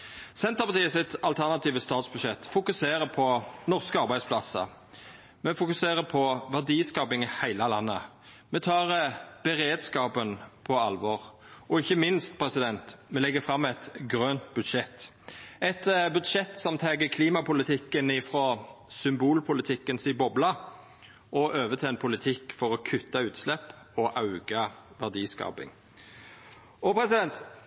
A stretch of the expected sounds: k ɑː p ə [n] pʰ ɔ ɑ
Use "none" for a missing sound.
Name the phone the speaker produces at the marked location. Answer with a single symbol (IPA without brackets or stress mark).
n